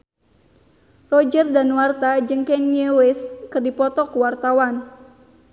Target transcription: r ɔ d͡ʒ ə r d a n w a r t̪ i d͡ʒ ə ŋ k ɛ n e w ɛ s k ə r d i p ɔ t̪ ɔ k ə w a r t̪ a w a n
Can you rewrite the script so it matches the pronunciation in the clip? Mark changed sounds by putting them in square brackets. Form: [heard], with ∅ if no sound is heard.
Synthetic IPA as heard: r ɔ d͡ʒ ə r d a n w a r t̪ [a] d͡ʒ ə ŋ k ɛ n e w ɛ s k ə r d i p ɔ t̪ ɔ k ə w a r t̪ a w a n